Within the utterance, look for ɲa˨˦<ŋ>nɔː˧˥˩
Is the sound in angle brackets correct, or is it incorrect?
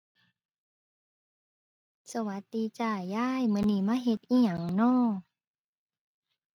correct